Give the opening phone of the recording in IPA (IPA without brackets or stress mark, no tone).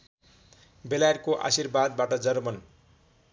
b